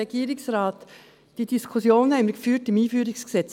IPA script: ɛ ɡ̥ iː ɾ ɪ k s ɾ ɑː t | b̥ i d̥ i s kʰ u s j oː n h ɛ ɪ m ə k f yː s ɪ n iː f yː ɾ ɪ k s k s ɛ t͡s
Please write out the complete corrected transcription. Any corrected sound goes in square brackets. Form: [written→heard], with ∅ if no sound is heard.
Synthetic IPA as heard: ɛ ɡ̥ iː ɾ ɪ k s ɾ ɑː t | [b̥→d̥] i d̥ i s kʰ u s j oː n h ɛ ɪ m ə k f yː [s→t] ɪ [n→m] iː f yː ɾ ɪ k s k s ɛ t͡s

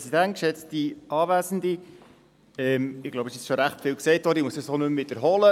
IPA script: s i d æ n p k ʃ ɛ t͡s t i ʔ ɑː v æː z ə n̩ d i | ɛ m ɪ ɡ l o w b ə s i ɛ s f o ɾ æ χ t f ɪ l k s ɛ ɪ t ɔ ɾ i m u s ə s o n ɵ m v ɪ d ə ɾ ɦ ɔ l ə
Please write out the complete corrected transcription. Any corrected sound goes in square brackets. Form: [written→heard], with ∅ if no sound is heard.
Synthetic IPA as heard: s i d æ n [p→t] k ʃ ɛ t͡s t i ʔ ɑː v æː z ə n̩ d i | ɛ m ɪ ɡ l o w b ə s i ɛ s [f→ʃ] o ɾ æ χ t f ɪ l k s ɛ ɪ t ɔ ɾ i m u s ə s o n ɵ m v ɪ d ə ɾ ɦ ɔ l ə

